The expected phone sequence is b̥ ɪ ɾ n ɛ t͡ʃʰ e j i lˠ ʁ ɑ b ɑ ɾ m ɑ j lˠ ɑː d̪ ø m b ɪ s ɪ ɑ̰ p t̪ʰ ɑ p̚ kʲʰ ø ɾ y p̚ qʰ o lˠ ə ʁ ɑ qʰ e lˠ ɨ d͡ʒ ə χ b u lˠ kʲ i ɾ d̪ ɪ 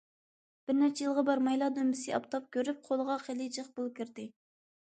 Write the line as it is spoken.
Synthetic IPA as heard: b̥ ɪ ɾ n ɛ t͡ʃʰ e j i lˠ ʁ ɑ b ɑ ɾ m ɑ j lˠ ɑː d̪ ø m b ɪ s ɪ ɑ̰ p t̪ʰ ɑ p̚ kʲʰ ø ɾ y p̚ qʰ o lˠ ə ʁ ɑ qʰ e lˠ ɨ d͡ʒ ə χ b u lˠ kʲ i ɾ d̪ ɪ